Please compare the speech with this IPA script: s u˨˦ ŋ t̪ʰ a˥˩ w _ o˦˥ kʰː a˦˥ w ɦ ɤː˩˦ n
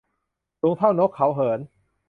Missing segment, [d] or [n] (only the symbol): n